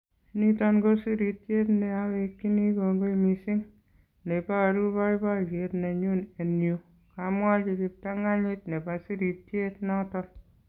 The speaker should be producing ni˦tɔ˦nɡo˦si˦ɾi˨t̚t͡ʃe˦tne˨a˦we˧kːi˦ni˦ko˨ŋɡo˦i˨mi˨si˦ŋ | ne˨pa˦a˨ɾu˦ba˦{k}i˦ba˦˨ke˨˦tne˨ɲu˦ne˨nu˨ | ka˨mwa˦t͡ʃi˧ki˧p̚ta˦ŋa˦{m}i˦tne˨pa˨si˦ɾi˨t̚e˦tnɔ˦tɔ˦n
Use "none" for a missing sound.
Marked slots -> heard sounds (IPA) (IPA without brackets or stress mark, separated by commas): none, ɲ